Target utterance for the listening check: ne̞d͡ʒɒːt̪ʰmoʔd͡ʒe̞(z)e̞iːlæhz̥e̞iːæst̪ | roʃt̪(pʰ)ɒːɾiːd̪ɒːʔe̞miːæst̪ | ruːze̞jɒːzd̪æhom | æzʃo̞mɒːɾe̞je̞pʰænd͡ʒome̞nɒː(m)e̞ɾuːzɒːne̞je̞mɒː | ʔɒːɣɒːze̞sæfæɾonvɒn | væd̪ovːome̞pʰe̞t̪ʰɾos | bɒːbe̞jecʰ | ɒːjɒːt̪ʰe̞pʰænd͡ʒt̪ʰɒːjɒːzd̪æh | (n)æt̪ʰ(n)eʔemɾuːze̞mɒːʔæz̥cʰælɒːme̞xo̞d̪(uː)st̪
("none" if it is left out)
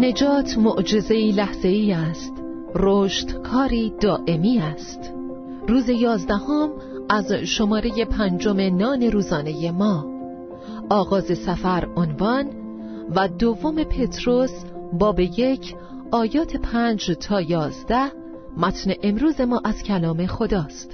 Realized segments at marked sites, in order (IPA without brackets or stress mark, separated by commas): z, kʰ, n, m, n, ɒː